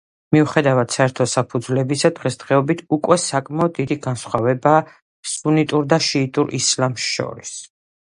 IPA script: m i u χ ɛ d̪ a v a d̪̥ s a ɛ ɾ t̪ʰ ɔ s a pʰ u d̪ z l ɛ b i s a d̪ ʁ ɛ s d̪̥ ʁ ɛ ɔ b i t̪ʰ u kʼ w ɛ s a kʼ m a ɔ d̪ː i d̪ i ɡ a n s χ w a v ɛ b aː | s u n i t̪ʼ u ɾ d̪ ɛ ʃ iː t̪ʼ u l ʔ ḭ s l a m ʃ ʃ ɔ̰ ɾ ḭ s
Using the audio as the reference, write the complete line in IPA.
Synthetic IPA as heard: m i u χ ɛ d̪ a v a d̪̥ s a ɛ ɾ t̪ʰ ɔ s a pʰ u d̪ z l ɛ b i s a d̪ ʁ ɛ s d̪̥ ʁ ɛ ɔ b i t̪ʰ u kʼ w ɛ s a kʼ m a ɔ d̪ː i d̪ i ɡ a n s χ w a v ɛ b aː | s u n i t̪ʼ u ɾ d̪ a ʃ iː t̪ʼ u ɾ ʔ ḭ s l a m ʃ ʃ ɔ̰ ɾ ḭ s

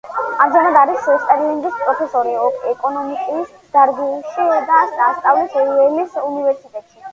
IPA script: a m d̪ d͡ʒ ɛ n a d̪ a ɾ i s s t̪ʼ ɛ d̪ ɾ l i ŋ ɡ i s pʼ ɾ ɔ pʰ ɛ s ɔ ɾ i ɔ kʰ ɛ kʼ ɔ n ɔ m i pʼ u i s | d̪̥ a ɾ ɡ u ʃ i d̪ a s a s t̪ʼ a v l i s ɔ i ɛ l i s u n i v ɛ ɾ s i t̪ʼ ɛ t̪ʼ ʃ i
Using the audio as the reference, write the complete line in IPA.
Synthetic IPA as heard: a m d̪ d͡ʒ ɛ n a d̪ a ɾ i s s t̪ʼ ɛ ɾ l i ŋ ɡ i s pʼ ɾ ɔ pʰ ɛ s ɔ ɾ i ɔ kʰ ɛ kʼ ɔ n ɔ m i kʼ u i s | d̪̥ a ɾ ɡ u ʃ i d̪ a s a s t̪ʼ a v l i s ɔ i ɛ l i s u n i v ɛ ɾ s i t̪ʼ ɛ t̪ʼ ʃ i

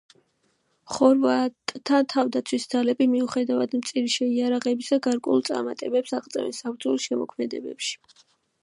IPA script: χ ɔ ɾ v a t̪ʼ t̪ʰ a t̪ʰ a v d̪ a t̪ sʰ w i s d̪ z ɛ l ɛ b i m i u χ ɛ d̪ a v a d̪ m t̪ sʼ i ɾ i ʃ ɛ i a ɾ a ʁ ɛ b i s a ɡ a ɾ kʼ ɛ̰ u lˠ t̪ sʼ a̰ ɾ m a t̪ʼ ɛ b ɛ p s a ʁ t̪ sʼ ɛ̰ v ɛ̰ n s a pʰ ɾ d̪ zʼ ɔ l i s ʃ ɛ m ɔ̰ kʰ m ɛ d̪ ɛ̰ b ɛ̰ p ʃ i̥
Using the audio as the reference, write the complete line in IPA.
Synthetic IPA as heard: χ ɔ ɾ v a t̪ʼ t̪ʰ a t̪ʰ a v d̪ a t̪ sʰ w i s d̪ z a l ɛ b i m i u χ ɛ d̪ a v a d̪ m t̪ sʼ i ɾ i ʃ ɛ i a ɾ a ʁ ɛ b i s a ɡ a ɾ kʼ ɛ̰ u lˠ t̪ sʼ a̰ ɾ m a t̪ʼ ɛ b ɛ p s a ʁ t̪ sʼ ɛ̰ v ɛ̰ n s a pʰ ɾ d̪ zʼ ɔ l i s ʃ ɛ m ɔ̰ kʰ m ɛ d̪ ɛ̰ b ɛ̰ p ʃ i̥

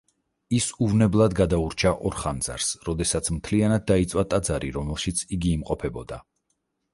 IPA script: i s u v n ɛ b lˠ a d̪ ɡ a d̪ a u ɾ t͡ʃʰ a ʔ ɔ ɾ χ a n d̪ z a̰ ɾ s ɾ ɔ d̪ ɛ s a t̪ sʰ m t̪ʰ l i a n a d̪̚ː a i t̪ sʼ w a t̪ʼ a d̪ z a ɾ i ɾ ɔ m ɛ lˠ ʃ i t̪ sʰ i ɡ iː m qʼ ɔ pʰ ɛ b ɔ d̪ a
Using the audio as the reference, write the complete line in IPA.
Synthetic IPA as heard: i s u v n ɛ b lˠ a d̪ ɡ a d̪ a u ɾ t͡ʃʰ a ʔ ɔ ɾ χ a n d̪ z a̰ ɾ s ɾ ɔ d̪ ɛ s a t̪ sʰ m t̪ʰ l i a n a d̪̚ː a i t̪ sʼ w a t̪ʼ a d̪ z a ɾ i ɾ ɔ m ɛ lˠ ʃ i t̪ sʰ i ɡ iː m qʼ ɔ pʰ ɛ b ɔ d̪ a

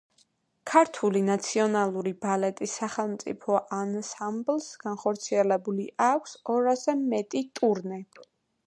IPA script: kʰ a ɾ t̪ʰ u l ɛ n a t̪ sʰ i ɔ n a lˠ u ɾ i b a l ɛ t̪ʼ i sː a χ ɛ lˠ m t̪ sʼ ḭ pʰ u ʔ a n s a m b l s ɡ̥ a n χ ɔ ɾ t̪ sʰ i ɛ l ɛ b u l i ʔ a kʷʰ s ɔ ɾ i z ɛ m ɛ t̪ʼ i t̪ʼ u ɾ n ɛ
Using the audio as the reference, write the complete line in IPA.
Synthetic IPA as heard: kʰ a ɾ t̪ʰ u l i n a t̪ sʰ i ɔ n a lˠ u ɾ i b a l ɛ t̪ʼ i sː a χ ɛ lˠ m t̪ sʼ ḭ pʰ ɔ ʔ a n s a m b l s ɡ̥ a n χ ɔ ɾ t̪ sʰ i ɛ l ɛ b u l i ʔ a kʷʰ s ɔ ɾ a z ɛ m ɛ t̪ʼ i t̪ʼ u ɾ n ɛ

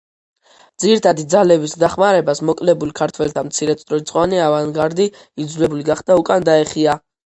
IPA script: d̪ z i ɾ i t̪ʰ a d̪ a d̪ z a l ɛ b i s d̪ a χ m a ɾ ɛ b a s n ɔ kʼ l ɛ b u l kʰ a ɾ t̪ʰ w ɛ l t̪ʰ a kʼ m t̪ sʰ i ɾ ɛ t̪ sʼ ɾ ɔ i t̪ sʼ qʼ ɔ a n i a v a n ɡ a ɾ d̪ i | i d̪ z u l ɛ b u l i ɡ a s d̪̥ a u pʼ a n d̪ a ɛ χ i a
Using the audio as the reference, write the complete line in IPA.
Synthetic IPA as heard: d̪ z i ɾ i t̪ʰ a d̪ i d̪ z a l ɛ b i s d̪ a χ m a ɾ ɛ b a s m ɔ kʼ l ɛ b u l kʰ a ɾ t̪ʰ w ɛ l t̪ʰ a m t̪ sʰ i ɾ ɛ t̪ sʼ ɾ ɔ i t̪ sʼ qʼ ɔ a n i a v a n ɡ a ɾ d̪ i | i d̪ z u l ɛ b u l i ɡ a χ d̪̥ a u kʼ a n d̪ a ɛ χ i a

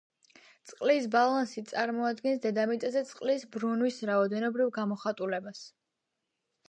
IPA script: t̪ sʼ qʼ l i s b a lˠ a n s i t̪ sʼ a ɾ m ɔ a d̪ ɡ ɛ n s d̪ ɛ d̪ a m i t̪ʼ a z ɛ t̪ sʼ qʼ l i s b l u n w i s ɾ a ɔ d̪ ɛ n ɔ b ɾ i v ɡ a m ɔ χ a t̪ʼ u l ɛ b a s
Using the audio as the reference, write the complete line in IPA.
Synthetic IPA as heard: t̪ sʼ qʼ l i s b a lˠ a n s i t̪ sʼ a ɾ m ɔ a d̪ ɡ ɛ n s d̪ ɛ d̪ a m i t̪ʼ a z ɛ t̪ sʼ qʼ l i s b ɾ u n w i s ɾ a ɔ d̪ ɛ n ɔ b ɾ i v ɡ a m ɔ χ a t̪ʼ u l ɛ b a s

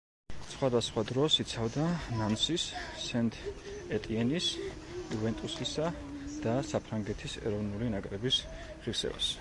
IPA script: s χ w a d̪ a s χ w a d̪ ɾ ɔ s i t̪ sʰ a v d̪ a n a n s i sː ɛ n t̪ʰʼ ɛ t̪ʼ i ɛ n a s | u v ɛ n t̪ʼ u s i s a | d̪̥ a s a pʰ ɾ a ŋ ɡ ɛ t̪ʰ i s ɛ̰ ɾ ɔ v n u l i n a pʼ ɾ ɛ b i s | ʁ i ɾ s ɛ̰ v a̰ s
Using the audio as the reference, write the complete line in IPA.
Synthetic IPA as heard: s χ w a d̪ a s χ w a d̪ ɾ ɔ s i t̪ sʰ a v d̪ a n a n s i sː ɛ n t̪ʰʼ ɛ t̪ʼ i ɛ n i s | u v ɛ n t̪ʼ u s i s a | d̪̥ a s a pʰ ɾ a ŋ ɡ ɛ t̪ʰ i s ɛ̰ ɾ ɔ v n u l i n a kʼ ɾ ɛ b i s | ʁ i ɾ s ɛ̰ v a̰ s

